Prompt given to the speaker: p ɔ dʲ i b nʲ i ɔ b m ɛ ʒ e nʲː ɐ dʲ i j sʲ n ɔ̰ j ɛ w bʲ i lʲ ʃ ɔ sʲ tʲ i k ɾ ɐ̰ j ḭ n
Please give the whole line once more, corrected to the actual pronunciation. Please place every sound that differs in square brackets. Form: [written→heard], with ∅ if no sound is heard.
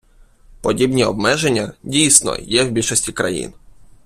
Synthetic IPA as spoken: p ɔ dʲ i b nʲ i ɔ b m ɛ ʒ e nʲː ɐ dʲ i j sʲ n ɔ̰ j ɛ w bʲ i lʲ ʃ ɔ sʲ tʲ i k ɾ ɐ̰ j ḭ n